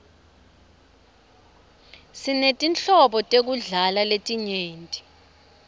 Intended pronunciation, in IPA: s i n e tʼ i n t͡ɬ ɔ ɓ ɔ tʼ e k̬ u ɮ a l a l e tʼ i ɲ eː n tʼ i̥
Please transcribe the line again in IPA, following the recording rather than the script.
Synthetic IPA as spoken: s i n e tʼ i n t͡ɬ ɔ ɓ ɔ tʼ e k̬ u ɮ a l a l e tʼ i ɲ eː n tʼ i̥